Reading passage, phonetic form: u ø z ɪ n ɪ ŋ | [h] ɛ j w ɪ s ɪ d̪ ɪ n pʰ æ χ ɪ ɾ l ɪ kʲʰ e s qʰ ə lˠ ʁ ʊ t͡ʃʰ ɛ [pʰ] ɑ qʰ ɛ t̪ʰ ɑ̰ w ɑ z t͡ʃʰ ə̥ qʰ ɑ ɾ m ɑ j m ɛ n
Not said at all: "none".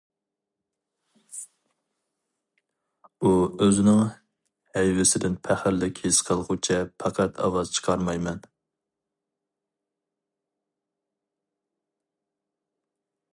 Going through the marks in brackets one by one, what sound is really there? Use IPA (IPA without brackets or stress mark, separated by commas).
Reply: h, pʰ